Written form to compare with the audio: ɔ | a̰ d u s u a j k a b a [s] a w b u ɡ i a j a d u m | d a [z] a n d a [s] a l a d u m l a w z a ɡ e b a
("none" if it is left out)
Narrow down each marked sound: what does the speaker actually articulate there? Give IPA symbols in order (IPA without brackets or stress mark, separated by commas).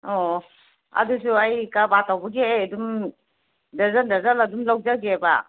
t, z, z